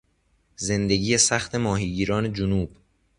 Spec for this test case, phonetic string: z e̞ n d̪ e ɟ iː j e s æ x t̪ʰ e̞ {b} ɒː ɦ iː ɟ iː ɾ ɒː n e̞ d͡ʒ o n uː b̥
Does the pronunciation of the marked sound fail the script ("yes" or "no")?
yes